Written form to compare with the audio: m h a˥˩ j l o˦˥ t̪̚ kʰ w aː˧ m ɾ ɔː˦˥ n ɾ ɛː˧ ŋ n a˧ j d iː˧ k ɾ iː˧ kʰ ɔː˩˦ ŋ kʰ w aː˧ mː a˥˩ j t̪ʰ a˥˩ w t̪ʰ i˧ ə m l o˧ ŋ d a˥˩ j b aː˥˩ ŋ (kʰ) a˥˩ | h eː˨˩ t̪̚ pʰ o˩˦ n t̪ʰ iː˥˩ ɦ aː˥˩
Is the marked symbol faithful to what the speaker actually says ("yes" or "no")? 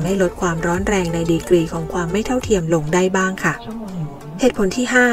yes